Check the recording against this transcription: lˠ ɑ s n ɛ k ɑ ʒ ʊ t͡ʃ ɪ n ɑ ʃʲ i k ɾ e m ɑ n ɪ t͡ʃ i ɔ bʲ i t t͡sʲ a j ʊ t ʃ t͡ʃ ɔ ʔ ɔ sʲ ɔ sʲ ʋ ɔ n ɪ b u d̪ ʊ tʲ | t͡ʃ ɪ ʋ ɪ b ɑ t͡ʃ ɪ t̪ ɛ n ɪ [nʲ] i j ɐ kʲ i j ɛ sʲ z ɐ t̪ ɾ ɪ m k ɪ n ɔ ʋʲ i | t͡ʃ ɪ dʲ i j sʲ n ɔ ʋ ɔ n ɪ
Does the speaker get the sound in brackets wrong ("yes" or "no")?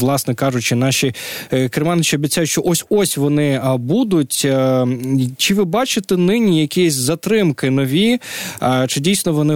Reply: no